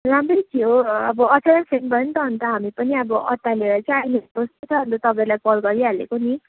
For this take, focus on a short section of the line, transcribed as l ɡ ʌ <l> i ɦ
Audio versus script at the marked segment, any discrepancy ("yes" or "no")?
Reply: yes